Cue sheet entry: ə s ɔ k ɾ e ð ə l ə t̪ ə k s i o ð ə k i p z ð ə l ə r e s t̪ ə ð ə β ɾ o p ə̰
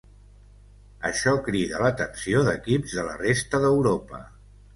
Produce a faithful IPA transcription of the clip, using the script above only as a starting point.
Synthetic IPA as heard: ə ʃ ɔ k ɾ i ð ə l ə t̪ ə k s i o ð ə k i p z ð ə l ə r e s t̪ ə ð ə w ɾ o p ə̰